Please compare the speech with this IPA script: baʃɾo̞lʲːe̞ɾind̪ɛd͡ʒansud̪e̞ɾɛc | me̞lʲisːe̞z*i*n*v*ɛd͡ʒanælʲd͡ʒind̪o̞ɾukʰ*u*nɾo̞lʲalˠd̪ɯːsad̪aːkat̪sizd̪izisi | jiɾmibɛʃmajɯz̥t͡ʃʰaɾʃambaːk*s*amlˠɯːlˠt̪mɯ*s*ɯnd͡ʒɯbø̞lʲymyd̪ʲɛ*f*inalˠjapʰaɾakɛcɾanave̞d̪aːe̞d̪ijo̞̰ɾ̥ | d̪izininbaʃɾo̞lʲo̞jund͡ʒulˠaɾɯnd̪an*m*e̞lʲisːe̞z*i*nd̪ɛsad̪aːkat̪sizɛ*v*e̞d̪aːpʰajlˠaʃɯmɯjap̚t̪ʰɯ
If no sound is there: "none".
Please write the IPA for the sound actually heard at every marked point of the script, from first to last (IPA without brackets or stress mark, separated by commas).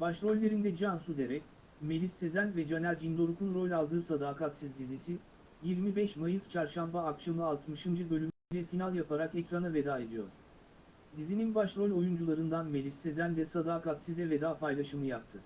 æ, v, u, ʃ, ʃ, f, m, æ, v